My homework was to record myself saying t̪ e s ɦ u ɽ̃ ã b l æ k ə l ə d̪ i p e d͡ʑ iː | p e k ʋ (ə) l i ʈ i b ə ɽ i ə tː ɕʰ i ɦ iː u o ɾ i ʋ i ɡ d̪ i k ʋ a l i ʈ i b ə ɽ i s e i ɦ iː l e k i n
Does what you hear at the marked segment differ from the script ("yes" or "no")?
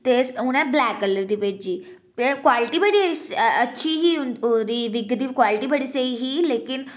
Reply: yes